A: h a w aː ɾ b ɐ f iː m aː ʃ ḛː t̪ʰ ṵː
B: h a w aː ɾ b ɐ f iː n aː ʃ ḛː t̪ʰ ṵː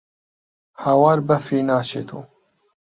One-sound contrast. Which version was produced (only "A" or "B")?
B